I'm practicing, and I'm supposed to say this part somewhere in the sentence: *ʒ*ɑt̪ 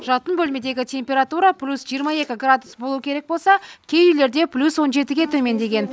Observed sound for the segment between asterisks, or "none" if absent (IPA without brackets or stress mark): ʒ